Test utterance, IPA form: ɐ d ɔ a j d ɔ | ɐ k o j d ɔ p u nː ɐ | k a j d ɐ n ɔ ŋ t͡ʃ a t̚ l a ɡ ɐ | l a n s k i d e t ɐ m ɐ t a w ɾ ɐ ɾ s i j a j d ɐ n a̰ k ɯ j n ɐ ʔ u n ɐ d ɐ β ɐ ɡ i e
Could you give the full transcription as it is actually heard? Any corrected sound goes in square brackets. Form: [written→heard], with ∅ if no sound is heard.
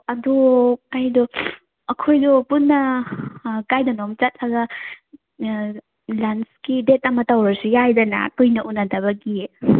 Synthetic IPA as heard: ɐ d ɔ a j d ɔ | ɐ [k→kʰ] o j d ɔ p u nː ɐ | k a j d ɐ n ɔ [ŋ→m] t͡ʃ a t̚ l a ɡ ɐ | l a n s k i d e t ɐ m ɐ t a w ɾ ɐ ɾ s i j a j d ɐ n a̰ k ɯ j n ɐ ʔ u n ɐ d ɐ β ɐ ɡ i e

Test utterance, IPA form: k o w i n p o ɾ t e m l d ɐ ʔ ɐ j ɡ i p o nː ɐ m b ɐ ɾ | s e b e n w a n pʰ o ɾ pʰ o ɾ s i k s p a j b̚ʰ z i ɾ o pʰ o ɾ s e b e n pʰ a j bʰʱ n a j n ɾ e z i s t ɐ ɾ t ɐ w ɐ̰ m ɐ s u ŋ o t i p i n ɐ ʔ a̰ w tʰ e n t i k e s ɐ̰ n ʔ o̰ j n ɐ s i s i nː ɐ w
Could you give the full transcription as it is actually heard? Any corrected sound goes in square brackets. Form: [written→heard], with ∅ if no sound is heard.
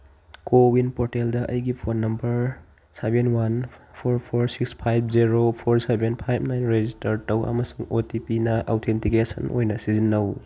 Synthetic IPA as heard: k o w i n p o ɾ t e [m→∅] l d ɐ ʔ ɐ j ɡ i [p→pʰ] o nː ɐ m b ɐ ɾ | s e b e n w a n pʰ o ɾ pʰ o ɾ s i k s [p→pʰ] a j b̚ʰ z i ɾ o pʰ o ɾ s e b e n pʰ a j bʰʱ n a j n ɾ e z i s t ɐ ɾ t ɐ w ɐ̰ m ɐ s u ŋ o t i p i n ɐ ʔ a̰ w tʰ e n t i k e s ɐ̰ n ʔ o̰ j n ɐ s i [s→z] i nː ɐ w

